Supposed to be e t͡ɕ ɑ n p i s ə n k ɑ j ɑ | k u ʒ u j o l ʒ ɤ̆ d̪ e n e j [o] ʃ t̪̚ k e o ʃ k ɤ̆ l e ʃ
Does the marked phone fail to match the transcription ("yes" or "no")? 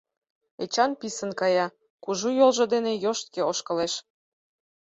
no